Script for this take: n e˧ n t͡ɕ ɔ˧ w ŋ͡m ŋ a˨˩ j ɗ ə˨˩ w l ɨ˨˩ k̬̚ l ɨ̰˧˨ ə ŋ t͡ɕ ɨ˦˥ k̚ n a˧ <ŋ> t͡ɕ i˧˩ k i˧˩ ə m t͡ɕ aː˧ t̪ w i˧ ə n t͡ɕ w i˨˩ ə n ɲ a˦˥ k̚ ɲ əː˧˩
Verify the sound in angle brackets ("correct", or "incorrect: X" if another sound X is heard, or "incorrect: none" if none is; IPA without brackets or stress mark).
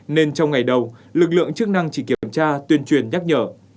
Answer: correct